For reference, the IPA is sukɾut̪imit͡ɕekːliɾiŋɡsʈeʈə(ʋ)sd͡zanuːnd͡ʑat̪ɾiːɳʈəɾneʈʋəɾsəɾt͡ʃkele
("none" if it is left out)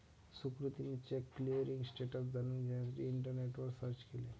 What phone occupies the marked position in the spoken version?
none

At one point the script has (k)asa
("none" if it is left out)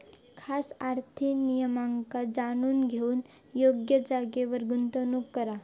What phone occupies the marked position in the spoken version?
kʰ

